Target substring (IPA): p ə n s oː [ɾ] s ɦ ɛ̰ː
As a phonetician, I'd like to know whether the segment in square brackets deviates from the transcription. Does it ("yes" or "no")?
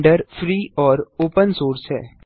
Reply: no